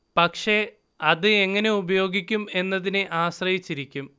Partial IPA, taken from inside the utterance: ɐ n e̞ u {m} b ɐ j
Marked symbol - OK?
no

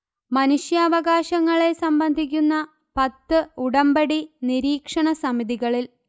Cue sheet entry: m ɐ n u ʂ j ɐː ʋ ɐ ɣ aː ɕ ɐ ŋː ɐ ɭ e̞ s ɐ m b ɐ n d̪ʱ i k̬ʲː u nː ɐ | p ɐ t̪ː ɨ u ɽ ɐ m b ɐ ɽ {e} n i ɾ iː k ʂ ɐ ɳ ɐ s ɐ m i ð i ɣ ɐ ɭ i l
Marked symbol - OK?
no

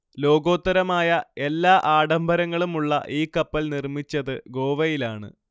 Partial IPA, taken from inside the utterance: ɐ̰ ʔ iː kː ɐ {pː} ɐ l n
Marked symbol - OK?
yes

